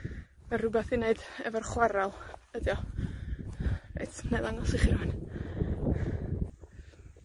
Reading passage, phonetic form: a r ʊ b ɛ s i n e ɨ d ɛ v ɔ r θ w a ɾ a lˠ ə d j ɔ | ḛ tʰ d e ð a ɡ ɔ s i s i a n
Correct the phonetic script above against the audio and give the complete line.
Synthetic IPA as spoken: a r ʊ b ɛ θ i n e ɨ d ɛ v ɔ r χ w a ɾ a lˠ ə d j ɔ | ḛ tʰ n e ð a ŋ ɔ s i χ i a n